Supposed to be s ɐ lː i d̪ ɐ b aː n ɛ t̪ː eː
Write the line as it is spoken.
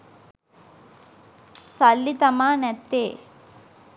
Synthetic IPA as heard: s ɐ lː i t̪ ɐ m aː n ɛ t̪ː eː